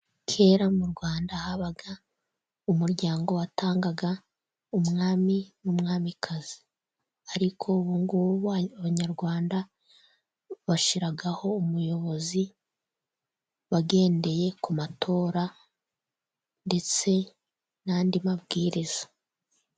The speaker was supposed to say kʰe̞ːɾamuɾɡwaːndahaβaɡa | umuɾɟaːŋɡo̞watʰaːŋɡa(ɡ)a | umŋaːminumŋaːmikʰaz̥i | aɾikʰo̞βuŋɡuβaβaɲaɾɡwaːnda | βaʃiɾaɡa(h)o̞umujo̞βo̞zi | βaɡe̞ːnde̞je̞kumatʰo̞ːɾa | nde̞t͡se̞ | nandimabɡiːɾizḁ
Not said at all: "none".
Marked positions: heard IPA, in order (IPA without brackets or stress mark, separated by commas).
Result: ɡ, h